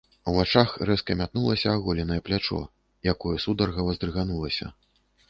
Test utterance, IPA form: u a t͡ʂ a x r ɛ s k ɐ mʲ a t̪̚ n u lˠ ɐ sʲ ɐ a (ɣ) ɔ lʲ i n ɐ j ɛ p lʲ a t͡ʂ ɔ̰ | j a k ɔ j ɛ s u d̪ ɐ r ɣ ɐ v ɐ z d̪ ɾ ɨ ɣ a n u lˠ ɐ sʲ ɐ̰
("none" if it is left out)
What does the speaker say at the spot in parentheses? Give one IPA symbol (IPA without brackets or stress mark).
ɣ